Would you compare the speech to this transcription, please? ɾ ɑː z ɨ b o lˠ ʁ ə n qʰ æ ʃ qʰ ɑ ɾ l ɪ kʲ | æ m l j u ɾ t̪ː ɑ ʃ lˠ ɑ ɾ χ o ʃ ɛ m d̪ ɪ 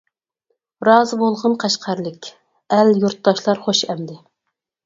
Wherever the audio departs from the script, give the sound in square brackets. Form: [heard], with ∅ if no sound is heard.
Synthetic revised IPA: ɾ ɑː z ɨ b o lˠ ʁ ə n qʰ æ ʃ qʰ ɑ ɾ l ɪ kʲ | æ [∅] l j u ɾ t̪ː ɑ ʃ lˠ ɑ ɾ χ o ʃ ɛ m d̪ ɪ